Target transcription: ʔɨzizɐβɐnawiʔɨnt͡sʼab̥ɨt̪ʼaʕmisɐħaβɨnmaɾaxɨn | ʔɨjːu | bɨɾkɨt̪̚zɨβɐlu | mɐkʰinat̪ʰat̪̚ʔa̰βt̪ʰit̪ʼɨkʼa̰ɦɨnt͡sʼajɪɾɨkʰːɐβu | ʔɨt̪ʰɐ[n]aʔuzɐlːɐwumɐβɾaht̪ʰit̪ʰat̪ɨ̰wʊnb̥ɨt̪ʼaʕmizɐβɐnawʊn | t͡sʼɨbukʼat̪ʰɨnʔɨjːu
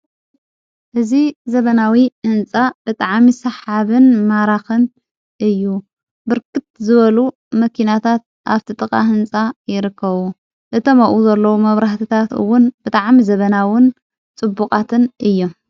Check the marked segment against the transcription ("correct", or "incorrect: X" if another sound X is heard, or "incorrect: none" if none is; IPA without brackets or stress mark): incorrect: m